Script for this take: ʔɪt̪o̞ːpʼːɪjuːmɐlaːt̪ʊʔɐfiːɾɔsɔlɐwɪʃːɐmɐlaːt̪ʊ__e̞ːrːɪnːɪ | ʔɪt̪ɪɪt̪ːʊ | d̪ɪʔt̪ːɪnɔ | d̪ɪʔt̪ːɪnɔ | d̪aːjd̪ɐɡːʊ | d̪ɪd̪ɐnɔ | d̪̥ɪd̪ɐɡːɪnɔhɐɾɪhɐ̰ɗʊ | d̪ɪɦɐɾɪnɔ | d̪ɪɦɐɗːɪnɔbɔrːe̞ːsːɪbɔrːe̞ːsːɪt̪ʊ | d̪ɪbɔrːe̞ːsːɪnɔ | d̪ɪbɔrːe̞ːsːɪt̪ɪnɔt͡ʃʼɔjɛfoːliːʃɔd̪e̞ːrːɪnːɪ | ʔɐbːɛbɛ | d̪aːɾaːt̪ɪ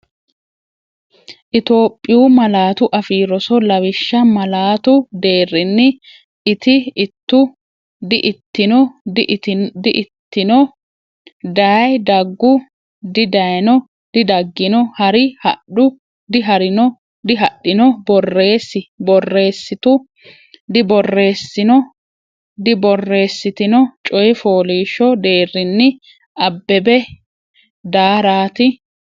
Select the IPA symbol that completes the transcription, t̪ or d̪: d̪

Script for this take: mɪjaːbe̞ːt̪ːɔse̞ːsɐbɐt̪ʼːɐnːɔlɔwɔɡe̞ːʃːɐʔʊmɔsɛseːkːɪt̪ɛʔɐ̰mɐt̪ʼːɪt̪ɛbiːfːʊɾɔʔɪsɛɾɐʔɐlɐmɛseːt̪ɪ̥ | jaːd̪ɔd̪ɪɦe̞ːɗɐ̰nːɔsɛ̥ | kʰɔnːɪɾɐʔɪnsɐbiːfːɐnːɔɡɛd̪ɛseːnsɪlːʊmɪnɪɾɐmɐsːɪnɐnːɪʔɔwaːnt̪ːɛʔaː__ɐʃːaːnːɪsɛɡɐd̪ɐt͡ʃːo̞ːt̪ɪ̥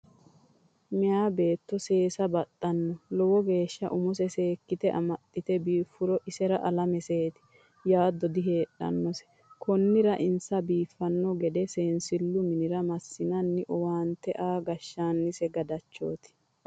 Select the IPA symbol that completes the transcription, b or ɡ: ɡ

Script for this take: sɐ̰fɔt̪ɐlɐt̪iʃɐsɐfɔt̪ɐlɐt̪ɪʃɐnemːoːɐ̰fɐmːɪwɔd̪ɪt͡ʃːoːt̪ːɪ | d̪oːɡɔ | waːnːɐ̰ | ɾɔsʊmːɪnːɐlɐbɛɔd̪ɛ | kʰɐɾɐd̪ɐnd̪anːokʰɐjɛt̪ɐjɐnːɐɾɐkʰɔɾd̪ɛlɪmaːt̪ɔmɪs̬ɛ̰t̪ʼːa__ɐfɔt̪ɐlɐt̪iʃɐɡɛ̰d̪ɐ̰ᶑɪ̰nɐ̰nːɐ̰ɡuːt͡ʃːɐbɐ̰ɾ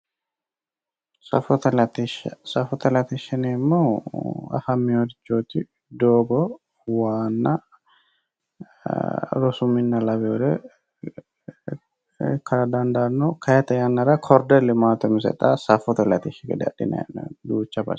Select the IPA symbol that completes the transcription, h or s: s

